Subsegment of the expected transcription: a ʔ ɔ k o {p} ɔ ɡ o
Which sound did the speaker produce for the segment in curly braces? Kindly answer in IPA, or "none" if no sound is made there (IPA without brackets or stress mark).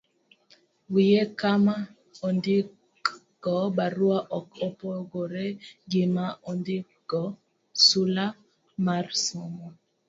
p